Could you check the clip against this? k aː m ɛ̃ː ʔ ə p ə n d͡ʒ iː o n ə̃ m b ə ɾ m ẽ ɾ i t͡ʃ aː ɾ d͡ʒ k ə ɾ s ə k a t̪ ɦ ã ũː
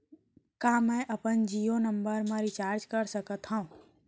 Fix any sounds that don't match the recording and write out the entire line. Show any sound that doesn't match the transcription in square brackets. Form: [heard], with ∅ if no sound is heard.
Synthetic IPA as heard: k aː m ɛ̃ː ʔ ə p ə n d͡ʒ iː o n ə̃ m b ə ɾ m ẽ ɾ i t͡ʃ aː ɾ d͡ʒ k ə ɾ s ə k [ə] t̪ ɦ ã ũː